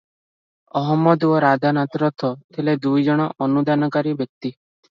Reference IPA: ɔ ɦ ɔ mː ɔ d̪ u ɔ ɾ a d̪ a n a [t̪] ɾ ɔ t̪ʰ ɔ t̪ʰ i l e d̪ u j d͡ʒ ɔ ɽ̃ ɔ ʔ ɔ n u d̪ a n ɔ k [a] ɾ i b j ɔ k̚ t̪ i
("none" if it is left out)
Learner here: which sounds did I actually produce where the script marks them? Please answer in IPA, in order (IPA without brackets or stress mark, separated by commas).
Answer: t̪, a